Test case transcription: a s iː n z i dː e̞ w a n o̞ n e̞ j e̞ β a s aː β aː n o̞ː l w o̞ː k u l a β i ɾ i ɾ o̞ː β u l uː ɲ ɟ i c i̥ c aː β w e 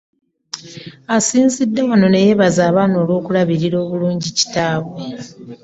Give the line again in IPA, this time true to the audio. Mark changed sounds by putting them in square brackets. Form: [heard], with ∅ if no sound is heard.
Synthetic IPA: a s iː n z i dː e̞ w a n o̞ n e̞ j e̞ β a [z] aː β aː n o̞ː l w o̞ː k u l a β i ɾ i ɾ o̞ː β u l uː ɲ ɟ i c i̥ [t] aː β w e